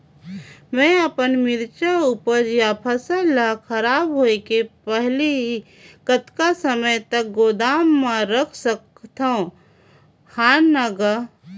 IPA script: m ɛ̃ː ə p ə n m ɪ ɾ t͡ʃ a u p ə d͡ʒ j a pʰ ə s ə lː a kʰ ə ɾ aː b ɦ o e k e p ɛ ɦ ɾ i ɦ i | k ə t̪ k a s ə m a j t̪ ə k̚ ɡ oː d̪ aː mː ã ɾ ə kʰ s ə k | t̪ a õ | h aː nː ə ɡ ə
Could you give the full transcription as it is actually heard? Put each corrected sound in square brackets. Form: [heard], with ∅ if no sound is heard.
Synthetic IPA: m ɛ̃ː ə p ə n m ɪ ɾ t͡ʃ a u p ə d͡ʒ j a pʰ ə s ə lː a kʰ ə ɾ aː b ɦ o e k e p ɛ ɦ [l] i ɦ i | k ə t̪ k a s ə m [ə] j t̪ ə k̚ ɡ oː d̪ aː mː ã ɾ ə kʰ s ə k | t̪ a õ | h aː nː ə ɡ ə